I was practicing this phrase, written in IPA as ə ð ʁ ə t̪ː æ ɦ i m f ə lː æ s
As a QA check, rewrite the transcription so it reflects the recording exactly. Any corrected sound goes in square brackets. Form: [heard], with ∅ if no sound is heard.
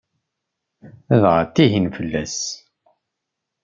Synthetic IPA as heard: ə ð ʁ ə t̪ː [i] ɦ i [n] f ə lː æ s